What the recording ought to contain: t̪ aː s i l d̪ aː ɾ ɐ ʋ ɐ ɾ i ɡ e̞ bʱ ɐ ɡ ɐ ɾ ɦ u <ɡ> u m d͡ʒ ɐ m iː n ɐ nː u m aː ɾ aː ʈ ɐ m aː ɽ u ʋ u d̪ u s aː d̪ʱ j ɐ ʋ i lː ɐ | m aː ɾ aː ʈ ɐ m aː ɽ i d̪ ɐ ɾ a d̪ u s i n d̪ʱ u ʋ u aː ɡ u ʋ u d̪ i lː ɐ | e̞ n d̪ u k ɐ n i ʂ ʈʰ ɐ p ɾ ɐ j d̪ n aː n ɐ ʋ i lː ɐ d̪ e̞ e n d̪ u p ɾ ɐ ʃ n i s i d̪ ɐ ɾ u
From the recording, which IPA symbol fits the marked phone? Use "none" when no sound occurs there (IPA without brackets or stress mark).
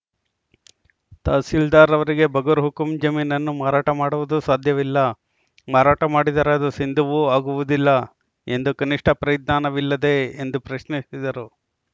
k